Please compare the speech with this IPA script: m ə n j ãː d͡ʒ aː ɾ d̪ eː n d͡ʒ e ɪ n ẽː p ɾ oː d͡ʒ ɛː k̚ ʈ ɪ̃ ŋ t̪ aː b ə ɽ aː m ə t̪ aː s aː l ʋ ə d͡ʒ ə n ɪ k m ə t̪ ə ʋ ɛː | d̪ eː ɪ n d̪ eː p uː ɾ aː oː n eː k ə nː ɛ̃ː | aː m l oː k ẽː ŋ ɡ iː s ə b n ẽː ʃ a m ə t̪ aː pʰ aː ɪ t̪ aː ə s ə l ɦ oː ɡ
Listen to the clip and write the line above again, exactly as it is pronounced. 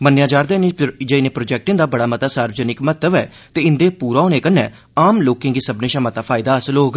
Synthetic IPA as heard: m ə n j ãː d͡ʒ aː ɾ d̪ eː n d͡ʒ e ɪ n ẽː p ɾ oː d͡ʒ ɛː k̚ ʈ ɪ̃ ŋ d̪ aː b ə ɽ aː m ə t̪ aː s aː ɾ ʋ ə d͡ʒ ə n ɪ k m ə t̪ ə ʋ ɛː | t̪ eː ɪ n d̪ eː p uː ɾ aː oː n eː k ə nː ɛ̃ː | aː m l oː k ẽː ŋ ɡ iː s ə b n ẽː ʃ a m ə t̪ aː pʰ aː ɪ d̪ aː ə s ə l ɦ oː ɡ

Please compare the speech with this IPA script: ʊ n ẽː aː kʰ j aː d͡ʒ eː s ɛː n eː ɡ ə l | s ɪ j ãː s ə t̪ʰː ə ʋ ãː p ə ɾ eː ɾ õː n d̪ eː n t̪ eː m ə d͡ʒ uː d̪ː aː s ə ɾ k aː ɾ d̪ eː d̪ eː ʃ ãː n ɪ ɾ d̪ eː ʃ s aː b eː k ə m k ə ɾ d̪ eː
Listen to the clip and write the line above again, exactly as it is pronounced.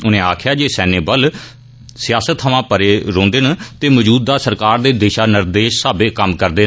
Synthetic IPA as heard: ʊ n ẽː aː kʰ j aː d͡ʒ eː s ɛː n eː b ə l | s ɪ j aː s ə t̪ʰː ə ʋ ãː p ə ɾ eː ɾ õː n d̪ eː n t̪ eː m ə d͡ʒ uː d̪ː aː s ə ɾ k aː ɾ d̪ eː d̪ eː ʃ aː n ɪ ɾ d̪ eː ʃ s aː b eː k ə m k ə ɾ d̪ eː

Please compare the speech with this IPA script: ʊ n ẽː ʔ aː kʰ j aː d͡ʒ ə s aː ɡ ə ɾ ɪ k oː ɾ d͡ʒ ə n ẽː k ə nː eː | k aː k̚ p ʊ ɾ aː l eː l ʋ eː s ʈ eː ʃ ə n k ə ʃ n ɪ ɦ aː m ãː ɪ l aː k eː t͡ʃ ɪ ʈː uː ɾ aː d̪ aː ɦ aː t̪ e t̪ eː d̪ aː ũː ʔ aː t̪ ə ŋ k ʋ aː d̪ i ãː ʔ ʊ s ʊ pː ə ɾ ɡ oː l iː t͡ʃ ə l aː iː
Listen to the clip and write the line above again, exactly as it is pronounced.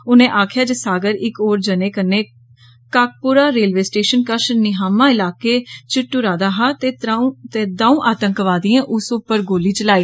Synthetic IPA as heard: ʊ n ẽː ʔ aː kʰ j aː d͡ʒ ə s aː ɡ ə ɾ ɪ k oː ɾ d͡ʒ ə n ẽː k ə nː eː | k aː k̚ p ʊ ɾ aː ɾ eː l ʋ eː s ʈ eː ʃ ə n k ə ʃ n ɪ ɦ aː m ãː ɪ l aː k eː t͡ʃ ɪ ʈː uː ɾ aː d̪ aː ɦ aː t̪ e t̪ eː d̪ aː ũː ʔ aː t̪ ə ŋ k ʋ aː d̪ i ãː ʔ ʊ s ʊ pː ə ɾ ɡ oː l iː t͡ʃ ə l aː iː

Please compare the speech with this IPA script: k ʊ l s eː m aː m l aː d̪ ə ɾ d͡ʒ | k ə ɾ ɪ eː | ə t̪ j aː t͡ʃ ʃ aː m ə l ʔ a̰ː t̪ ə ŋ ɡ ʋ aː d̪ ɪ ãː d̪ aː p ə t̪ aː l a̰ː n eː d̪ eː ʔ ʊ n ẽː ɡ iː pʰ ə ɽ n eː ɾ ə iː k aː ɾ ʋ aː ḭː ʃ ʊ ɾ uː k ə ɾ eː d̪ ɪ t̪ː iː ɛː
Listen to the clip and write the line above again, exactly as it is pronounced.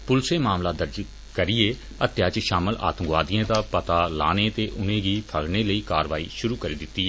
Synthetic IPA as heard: p ʊ l s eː m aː m l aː d̪ ə ɾ d͡ʒ | k ə ɾ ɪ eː | ə t̪ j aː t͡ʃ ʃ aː m ə l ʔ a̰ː t̪ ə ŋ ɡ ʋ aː d̪ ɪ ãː d̪ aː p ə t̪ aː l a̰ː n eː t̪ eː ʔ ʊ n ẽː ɡ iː pʰ ə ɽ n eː l ə iː k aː ɾ ʋ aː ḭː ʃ ʊ ɾ uː k ə ɾ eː d̪ ɪ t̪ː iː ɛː

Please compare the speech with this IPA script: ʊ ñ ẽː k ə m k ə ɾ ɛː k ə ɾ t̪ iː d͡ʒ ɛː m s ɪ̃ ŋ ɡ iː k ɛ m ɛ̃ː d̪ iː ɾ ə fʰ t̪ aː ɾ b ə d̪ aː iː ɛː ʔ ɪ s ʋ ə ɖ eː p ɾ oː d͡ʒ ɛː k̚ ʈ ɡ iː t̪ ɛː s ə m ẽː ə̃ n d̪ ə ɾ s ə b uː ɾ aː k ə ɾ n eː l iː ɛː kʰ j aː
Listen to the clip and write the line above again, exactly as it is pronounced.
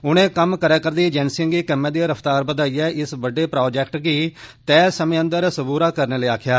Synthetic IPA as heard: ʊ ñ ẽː k ə m k ə ɾ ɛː k ə ɾ d̪ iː d͡ʒ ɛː n s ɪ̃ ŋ ɡ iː k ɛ m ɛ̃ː d̪ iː ɾ ə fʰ t̪ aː ɾ b ə d̪ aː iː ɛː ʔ ɪ s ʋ ə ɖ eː p ɾ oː d͡ʒ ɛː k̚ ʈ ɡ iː t̪ ɛː s ə m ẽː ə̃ n d̪ ə ɾ s ə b uː ɾ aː k ə ɾ n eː l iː aː kʰ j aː

